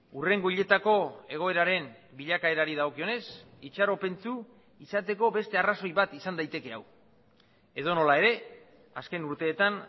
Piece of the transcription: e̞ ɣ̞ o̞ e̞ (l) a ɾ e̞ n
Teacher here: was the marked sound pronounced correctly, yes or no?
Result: no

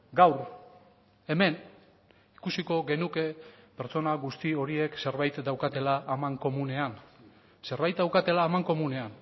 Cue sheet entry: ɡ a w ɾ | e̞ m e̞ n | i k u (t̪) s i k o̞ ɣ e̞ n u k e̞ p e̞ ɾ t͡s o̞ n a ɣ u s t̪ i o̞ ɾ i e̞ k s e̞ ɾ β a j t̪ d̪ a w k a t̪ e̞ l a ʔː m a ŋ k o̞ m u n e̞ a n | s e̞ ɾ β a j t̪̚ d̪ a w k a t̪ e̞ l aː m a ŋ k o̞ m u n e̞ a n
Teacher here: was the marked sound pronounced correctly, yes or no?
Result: no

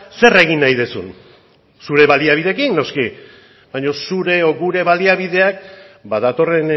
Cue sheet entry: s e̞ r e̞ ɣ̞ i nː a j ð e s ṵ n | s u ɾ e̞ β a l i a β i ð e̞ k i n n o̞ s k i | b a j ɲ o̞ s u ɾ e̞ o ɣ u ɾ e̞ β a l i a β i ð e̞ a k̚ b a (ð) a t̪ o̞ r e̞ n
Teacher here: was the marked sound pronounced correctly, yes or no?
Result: yes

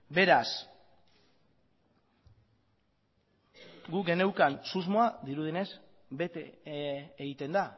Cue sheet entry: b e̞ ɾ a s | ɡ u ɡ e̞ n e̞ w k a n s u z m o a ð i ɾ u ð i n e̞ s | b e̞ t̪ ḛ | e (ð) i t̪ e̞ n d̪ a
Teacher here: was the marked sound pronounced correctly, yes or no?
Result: no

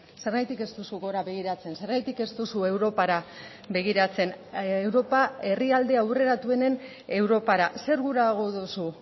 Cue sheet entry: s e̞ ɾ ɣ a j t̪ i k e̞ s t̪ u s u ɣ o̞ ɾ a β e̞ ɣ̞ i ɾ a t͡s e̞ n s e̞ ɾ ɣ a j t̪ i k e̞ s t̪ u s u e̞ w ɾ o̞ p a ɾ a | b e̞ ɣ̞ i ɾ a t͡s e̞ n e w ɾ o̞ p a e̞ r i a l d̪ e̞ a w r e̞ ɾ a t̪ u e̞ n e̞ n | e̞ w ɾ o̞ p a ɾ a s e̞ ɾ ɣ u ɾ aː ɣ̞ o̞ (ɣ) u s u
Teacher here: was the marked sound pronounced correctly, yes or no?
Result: no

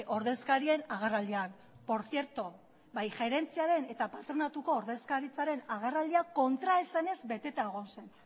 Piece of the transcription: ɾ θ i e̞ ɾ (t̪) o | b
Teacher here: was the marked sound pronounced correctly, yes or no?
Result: yes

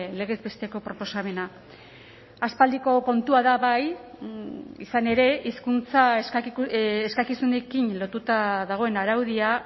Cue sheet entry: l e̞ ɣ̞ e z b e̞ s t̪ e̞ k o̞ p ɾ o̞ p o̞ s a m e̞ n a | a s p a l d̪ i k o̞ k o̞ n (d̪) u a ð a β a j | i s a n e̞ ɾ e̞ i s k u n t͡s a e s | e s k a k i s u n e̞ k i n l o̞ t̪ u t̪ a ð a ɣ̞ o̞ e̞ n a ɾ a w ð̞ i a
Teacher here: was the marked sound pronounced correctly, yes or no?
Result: no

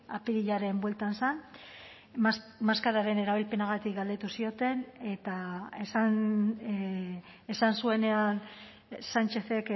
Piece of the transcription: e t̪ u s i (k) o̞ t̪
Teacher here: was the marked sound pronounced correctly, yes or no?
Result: no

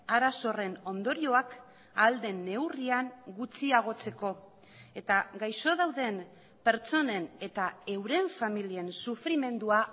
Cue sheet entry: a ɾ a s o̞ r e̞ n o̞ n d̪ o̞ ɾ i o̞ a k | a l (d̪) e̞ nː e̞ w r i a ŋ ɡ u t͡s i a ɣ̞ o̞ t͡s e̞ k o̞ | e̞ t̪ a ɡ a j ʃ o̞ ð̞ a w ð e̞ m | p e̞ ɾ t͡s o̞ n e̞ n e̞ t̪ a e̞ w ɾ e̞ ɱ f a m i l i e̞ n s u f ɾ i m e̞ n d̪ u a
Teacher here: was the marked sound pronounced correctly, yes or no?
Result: yes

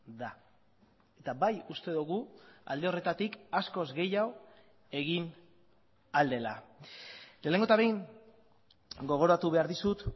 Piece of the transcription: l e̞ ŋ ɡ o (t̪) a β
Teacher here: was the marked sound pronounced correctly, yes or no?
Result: yes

